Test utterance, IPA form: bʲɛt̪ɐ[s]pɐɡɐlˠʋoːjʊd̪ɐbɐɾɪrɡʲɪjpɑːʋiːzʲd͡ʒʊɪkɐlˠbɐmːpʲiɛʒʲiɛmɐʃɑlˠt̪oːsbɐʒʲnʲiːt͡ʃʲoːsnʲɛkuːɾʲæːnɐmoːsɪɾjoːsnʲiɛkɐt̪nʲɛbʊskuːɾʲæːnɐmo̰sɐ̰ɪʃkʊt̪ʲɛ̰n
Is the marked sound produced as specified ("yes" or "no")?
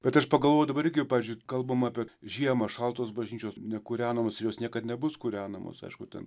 no